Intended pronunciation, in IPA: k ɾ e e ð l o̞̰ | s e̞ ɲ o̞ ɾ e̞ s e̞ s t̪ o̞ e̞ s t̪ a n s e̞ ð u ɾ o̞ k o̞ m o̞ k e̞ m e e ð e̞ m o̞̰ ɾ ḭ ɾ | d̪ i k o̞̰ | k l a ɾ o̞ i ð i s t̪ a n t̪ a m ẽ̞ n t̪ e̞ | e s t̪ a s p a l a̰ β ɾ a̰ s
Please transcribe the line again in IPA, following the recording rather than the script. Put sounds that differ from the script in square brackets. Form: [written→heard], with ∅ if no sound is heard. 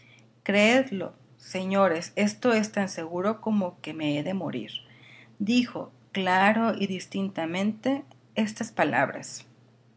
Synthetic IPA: k ɾ e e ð l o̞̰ | s e̞ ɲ o̞ ɾ e̞ s e̞ s t̪ o̞ e̞ s t̪ a n s e̞ [ð→ɣ] u ɾ o̞ k o̞ m o̞ k e̞ m e e ð e̞ m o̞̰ ɾ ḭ ɾ | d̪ i [k→x] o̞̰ | k l a ɾ o̞ i ð i s t̪ [a→i] n t̪ a m ẽ̞ n t̪ e̞ | e s t̪ a s p a l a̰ β ɾ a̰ s